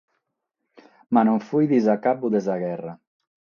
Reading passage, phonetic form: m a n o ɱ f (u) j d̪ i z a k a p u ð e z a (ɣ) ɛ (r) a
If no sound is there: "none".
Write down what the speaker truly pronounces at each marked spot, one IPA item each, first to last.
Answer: u, ɣ, r

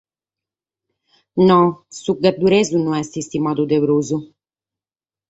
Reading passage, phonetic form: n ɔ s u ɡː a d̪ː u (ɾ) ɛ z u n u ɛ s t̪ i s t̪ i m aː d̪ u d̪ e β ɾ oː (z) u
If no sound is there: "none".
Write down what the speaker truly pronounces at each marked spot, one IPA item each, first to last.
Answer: ɾ, z

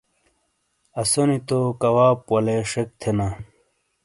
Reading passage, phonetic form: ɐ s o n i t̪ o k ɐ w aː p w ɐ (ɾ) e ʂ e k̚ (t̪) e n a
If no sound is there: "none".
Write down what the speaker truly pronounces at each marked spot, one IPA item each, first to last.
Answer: l, t̪ʰ

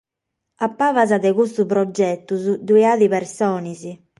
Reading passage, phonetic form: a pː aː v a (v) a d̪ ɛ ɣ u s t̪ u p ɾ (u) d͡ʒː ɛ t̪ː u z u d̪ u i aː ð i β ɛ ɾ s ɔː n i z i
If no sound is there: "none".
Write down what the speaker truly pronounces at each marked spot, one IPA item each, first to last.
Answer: z, ɔ

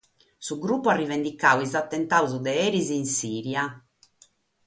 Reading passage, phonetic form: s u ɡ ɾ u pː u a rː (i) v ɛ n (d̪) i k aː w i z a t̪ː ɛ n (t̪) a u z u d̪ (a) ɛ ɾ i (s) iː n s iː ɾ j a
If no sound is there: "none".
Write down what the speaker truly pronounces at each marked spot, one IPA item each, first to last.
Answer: i, d̪, t̪, ɛ, z

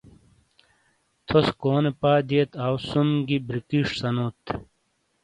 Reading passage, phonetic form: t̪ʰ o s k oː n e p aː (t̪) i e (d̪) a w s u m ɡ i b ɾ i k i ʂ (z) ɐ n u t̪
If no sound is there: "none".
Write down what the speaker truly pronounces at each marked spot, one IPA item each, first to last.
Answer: d̪, t̪, s

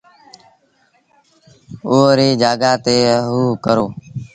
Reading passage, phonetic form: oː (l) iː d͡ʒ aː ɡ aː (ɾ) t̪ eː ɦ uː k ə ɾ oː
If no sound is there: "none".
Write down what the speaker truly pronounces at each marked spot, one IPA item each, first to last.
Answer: ɾ, none

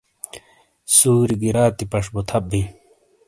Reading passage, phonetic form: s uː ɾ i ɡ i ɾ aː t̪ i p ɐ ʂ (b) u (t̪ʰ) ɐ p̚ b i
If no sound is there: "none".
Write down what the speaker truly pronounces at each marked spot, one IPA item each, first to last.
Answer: b, t̪ʰ

